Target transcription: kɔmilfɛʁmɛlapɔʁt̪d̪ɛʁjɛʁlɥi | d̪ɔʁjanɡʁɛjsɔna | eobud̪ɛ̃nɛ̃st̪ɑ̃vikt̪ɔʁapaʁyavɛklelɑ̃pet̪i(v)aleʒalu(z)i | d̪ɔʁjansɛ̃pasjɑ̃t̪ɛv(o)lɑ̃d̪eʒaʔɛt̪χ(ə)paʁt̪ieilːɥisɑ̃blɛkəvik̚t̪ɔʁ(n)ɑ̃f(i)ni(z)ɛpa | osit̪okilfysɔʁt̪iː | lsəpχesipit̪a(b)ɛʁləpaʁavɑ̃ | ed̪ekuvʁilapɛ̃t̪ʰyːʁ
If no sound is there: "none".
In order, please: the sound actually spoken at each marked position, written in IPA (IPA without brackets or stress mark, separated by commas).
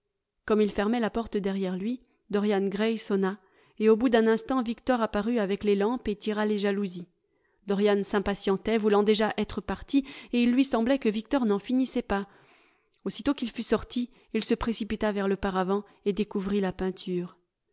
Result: ʁ, z, u, ə, n, i, s, v